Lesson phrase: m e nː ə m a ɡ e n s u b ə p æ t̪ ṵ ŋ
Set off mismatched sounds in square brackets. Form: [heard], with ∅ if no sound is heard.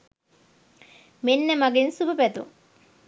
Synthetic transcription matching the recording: m e nː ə m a ɡ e n s u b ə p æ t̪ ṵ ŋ